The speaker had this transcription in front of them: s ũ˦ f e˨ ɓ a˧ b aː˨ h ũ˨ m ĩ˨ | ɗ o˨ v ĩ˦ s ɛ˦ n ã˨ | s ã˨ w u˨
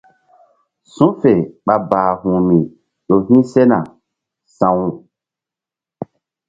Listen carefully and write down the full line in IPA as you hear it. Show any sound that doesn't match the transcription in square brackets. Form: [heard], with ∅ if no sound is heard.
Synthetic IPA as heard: s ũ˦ f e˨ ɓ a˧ b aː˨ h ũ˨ m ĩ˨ | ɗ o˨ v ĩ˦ s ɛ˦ n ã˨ | s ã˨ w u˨